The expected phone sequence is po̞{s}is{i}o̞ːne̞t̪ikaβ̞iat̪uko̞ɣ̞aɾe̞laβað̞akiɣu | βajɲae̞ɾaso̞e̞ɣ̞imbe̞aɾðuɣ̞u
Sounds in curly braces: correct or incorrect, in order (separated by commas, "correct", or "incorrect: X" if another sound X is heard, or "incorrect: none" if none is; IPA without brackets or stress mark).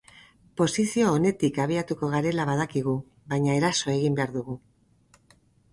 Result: correct, correct